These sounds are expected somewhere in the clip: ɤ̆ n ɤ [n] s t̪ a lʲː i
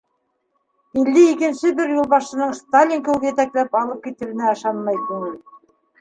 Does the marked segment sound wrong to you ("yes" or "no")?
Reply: yes